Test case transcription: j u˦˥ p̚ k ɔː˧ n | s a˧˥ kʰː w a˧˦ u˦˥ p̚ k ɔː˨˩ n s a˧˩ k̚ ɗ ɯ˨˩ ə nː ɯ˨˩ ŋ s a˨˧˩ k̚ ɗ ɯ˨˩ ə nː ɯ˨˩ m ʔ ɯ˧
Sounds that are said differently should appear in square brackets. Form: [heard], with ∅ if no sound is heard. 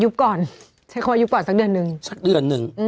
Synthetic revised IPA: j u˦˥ p̚ k [ɔː˨˩] n | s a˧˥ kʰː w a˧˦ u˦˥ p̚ k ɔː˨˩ n s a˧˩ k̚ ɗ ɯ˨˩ ə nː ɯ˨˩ ŋ s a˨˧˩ k̚ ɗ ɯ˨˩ ə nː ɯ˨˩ [ŋ] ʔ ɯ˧

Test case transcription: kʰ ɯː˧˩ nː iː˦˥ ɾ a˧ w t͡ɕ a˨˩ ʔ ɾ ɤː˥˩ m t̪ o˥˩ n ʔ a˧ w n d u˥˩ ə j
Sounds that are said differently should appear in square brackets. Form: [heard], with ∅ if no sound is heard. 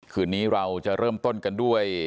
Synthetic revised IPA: kʰ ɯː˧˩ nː iː˦˥ ɾ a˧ w t͡ɕ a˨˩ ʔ ɾ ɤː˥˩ m t̪ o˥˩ n [k] a˧ [∅] n d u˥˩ ə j

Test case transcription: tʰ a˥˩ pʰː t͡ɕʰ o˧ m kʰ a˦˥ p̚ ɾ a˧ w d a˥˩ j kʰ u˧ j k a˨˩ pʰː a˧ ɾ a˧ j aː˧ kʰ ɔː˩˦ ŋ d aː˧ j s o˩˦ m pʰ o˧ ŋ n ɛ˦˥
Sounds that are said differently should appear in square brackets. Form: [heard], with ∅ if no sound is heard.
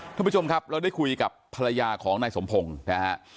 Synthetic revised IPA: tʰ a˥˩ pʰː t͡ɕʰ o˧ m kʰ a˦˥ p̚ ɾ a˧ w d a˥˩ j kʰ u˧ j k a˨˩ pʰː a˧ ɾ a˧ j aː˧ kʰ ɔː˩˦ ŋ [n] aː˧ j s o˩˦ m pʰ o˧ ŋ n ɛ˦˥

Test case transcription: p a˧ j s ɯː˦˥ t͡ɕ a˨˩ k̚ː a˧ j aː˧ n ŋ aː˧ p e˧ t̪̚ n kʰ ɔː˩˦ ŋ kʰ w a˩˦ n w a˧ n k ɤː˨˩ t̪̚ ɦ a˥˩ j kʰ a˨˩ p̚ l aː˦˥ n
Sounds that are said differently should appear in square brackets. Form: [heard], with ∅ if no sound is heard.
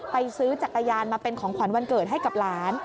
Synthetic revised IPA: p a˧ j s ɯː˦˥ t͡ɕ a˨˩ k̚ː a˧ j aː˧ n [m] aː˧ p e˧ [∅] n kʰ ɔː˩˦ ŋ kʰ w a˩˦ n w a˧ n k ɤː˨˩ t̪̚ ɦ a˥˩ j [k] a˨˩ p̚ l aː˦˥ n

